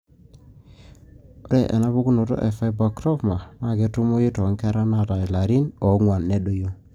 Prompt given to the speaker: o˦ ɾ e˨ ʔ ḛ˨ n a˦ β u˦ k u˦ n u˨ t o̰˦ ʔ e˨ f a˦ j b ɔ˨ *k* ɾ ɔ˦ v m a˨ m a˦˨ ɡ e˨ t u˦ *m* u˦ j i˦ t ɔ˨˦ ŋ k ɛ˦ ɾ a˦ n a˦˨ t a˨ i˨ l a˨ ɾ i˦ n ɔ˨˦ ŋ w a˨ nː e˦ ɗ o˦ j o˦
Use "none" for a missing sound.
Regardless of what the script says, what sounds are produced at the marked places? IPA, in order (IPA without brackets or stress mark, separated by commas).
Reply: k, m